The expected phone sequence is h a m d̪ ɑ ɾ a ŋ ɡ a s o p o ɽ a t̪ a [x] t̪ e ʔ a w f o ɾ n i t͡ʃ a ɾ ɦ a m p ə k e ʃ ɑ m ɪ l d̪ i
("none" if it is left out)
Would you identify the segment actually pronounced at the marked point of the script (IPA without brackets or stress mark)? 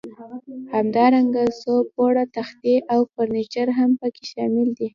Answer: x